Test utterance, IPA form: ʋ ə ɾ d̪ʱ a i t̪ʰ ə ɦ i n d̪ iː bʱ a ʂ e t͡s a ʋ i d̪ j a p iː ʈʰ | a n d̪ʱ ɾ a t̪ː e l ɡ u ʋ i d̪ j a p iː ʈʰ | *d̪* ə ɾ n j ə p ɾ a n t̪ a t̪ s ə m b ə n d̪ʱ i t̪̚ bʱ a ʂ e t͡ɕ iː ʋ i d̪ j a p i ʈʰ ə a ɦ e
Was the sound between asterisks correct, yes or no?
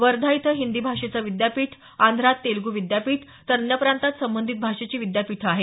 no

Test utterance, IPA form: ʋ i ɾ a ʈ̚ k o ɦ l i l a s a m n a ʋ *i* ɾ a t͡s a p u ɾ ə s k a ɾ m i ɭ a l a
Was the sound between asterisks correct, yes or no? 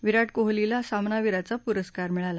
yes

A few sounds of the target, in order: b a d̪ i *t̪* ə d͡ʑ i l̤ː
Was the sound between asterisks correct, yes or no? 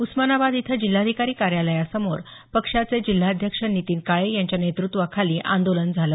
no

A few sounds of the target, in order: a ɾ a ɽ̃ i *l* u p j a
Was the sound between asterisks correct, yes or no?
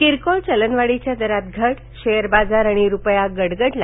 no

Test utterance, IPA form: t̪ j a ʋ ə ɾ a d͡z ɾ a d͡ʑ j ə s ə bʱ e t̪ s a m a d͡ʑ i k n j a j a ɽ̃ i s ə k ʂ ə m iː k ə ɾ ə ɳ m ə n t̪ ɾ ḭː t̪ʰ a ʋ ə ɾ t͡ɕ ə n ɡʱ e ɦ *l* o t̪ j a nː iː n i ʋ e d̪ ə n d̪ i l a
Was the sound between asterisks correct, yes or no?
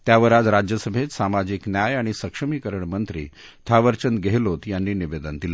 yes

